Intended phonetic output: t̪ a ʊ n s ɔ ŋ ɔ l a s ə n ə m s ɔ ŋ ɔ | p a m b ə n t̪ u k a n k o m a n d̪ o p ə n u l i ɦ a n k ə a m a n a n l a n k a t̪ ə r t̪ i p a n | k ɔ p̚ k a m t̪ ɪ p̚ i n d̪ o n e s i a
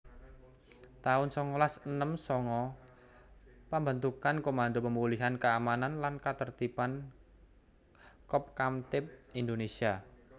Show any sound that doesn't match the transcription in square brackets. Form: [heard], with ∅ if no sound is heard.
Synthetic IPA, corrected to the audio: t̪ a ʊ n s ɔ ŋ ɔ l a s ə n ə m s ɔ ŋ ɔ | p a m b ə n t̪ u k a n k o m a n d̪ o p ə [m] u l i ɦ a n k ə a m a n a n l a n k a t̪ ə r t̪ i p a n | k ɔ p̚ k a m t̪ ɪ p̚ i n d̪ o n e s i a